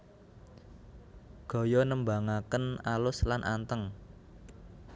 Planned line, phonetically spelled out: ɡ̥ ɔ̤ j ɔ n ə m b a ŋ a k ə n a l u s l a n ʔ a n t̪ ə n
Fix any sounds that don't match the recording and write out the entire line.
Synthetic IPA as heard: ɡ̥ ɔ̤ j ɔ n ə m b a ŋ a k ə n a l ʊ s l a n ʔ a n t̪ ə ŋ